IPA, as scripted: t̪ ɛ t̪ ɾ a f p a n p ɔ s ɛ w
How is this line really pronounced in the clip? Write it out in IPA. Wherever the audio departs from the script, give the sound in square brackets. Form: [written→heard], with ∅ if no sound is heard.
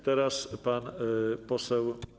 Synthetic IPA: t̪ ɛ [t̪→∅] ɾ a [f→s] p a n p ɔ s ɛ w